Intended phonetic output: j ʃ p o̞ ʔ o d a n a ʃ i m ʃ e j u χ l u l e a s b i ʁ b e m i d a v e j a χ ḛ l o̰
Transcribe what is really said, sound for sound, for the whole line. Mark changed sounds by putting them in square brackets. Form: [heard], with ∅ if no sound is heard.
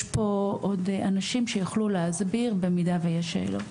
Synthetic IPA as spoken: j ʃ p o̞ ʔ o d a n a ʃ i m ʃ e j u χ l u l e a [z] b i ʁ b e m i d a v e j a [ʃ] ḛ l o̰